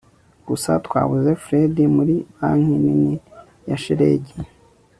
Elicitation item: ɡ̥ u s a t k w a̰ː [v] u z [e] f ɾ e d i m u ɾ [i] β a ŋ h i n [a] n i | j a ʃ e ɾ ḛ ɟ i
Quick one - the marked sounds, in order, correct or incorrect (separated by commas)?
incorrect, correct, correct, incorrect